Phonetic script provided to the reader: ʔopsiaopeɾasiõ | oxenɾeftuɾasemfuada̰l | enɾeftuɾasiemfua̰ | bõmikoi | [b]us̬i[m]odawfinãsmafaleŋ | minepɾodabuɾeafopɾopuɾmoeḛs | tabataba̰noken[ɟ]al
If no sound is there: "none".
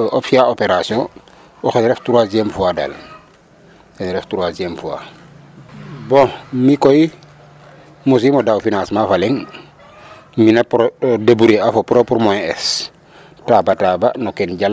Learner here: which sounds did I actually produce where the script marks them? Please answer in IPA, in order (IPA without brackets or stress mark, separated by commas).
m, m, ɟ